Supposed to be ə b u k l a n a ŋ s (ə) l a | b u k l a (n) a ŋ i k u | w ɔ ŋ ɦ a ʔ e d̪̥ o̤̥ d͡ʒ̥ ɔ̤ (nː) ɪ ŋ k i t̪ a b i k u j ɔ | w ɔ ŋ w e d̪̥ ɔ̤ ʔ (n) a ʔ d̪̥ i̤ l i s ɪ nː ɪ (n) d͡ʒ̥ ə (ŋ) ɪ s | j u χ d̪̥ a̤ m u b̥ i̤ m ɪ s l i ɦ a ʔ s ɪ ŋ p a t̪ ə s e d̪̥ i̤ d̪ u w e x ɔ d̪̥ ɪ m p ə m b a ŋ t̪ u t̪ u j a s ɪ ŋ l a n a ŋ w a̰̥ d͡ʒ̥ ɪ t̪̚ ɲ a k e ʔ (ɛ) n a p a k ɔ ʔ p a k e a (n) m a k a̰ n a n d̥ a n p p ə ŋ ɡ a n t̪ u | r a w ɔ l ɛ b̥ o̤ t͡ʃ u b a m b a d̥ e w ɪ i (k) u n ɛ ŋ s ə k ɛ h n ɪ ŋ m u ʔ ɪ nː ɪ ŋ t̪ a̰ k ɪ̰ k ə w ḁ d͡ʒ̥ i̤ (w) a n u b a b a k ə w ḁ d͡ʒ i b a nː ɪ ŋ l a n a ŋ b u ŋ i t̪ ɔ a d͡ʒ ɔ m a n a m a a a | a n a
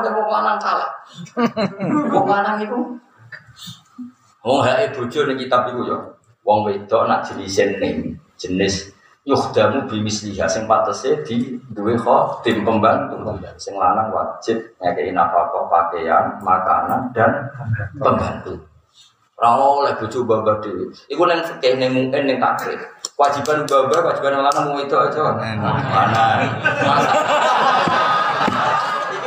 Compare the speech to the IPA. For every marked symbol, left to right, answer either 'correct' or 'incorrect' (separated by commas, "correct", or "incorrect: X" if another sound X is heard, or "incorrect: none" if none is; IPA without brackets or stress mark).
incorrect: a, correct, incorrect: n, correct, incorrect: ŋ, incorrect: n, incorrect: i, correct, correct, incorrect: b